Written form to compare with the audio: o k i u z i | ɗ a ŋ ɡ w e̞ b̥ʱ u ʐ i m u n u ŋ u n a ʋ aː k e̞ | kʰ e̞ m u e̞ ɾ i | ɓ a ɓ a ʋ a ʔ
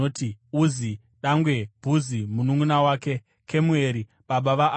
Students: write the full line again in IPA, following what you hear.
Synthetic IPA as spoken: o t i u z i | ɗ a ŋ ɡ w e̞ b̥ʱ u z i m u n u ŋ u n a w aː k e̞ | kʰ e̞ m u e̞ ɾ i | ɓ a ɓ a ʋ a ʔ

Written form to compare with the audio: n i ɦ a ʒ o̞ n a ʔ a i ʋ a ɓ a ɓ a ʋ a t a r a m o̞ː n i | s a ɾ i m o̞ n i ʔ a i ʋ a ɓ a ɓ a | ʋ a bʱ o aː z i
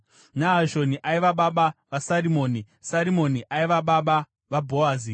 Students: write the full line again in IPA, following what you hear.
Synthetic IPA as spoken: n a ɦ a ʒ o̞ n i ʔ a i ʋ a ɓ a ɓ a ʋ a s a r i m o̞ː n i | s a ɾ i m o̞ n i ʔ a i ʋ a ɓ a ɓ a | ʋ a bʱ o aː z i

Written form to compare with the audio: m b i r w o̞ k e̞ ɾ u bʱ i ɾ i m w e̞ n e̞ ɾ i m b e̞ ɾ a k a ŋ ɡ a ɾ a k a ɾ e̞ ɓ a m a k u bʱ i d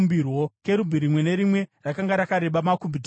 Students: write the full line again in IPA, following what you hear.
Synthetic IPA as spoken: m b i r w o̞ k e̞ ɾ u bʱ i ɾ i m w e̞ n e̞ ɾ i m w e̞ r a k a ŋ ɡ a ɾ a k a ɾ e̞ ɓ a m a k u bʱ i d

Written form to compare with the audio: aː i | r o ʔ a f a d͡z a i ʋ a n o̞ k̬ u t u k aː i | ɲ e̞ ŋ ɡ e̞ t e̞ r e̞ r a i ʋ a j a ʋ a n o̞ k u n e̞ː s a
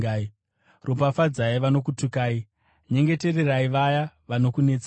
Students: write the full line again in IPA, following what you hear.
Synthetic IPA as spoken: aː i | r o p a f a d͡z a i ʋ a n o̞ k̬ u t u k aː i | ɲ e̞ ŋ ɡ e̞ t e̞ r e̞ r a i ʋ a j a ʋ a n o̞ k u n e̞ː t͡s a

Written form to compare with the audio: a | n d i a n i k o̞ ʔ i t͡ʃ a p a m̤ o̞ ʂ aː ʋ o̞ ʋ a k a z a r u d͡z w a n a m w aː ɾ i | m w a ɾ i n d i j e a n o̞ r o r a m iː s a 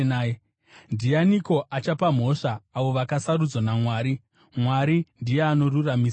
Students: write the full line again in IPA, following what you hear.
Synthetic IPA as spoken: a | n d i a n i k o̞ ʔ a t͡ʃ a p a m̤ o̞ ʂ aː ʋ o̞ ʋ a k a s a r u d͡z w a n a m w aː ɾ i | m w a ɾ i n d i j e a n o̞ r u r a m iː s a

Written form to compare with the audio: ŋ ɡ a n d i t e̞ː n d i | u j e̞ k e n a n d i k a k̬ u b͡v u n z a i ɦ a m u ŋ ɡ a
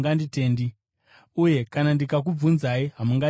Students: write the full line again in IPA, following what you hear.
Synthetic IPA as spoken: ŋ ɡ a n d i t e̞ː n d i | u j e̞ k a n a n d i k a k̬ u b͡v u n z a i ɦ a m u ŋ ɡ a

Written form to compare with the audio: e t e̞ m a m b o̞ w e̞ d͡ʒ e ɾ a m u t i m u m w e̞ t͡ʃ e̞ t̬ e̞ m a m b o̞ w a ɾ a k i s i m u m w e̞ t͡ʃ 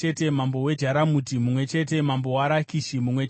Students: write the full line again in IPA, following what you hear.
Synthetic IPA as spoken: e t e̞ m a m b o̞ w e̞ d͡ʒ a ɾ a m u t i m u m w e̞ t͡ʃ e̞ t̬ e̞ m a m b o̞ w a ɾ a k i ʃ i m u m w e̞ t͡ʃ

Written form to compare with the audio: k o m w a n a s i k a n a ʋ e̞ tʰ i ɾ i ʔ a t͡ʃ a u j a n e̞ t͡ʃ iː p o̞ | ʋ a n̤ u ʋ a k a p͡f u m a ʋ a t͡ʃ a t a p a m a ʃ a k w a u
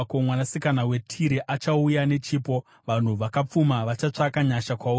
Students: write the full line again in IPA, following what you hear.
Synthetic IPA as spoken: k o m w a n a s i k a n a w e̞ tʰ i ɾ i ʔ a t͡ʃ a u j a n e̞ t͡ʃ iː p o̞ | ʋ a n̤ u ʋ a k a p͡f u m a ʋ a t͡ʃ a t͡ʂ a k a ɲ a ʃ a k w a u

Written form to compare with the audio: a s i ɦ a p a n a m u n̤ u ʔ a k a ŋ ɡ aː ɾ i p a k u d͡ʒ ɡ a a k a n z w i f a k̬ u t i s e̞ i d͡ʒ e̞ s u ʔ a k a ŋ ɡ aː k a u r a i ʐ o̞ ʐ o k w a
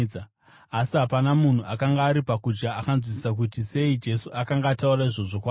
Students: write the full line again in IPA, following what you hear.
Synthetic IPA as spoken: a s i ɦ a p a n a m u n̤ u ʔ a k a ŋ ɡ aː ɾ i p a k u d͡ʒ ɡ a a k a n z w i s a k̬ u t i s e̞ i d͡ʒ e̞ s u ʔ a k a ŋ ɡ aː t a u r a i ʐ o̞ ʐ o k w a

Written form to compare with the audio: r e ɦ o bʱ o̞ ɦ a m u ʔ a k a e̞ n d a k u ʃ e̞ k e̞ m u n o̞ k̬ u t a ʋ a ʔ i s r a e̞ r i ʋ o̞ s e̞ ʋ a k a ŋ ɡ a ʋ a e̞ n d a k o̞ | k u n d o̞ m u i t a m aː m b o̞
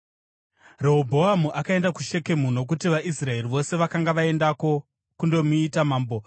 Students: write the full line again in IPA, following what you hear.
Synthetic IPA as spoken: r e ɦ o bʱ o̞ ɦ a m u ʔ a k a e̞ n d a k u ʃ e̞ k e̞ m u n o̞ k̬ u t i ʋ a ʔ i s r a e̞ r i ʋ o̞ s e̞ ʋ a k a ŋ ɡ a ʋ a e̞ n d a k o̞ | k u n d o̞ m u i t a m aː m b o̞

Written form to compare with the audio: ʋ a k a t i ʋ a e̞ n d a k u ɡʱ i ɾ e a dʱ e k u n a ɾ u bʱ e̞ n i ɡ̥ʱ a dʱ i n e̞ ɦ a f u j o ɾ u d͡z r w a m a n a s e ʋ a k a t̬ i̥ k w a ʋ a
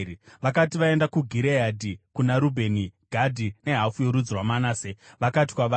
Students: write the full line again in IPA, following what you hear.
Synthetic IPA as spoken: ʋ a k a t i ʋ a e̞ n d a k u ɡʱ i ɾ e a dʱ i k u n a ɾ u bʱ e̞ n i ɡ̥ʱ a dʱ i n e̞ ɦ a f u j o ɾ u d͡z r w a m a n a s e ʋ a k a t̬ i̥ k w a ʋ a

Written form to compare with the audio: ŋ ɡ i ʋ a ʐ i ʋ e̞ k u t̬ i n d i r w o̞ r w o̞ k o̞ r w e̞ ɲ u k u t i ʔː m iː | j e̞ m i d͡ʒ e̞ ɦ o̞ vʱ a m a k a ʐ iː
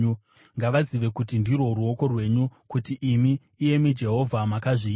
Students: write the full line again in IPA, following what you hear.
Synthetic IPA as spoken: ŋ ɡ a ʋ a z i ʋ e̞ k u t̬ i n d i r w o̞ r u o̞ k o̞ r w e̞ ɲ u k u t i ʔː m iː | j e̞ m i d͡ʒ e̞ ɦ o̞ vʱ a m a k a ʐ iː

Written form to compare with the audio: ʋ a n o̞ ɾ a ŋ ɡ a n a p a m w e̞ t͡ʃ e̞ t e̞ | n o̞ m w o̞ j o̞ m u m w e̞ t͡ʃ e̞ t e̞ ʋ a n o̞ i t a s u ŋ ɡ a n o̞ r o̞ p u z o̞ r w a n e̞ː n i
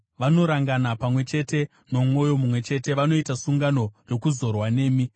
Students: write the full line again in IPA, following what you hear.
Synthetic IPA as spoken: ʋ a n o̞ ɾ a ŋ ɡ a n a p a m w e̞ t͡ʃ e̞ t e̞ | n o̞ m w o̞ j o̞ m u m w e̞ t͡ʃ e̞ t e̞ ʋ a n o̞ i t a s u ŋ ɡ a n o̞ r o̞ k u z o̞ r w a n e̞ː m i

